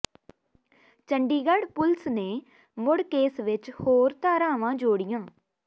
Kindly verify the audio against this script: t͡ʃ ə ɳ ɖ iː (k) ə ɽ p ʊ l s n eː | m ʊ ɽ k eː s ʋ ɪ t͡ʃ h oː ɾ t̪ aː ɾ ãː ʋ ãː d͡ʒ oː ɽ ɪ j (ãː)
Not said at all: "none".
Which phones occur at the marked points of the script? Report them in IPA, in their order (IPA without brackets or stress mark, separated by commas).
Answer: ɡ, ãː